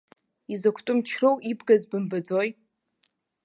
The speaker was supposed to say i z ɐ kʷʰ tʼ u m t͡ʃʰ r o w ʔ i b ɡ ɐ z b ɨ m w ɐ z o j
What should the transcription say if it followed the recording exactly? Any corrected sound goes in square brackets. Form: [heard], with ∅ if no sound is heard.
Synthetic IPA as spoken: i z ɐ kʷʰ tʼ [ʊ] m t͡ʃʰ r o w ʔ i b ɡ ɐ z b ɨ m [b] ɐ [d͡z] o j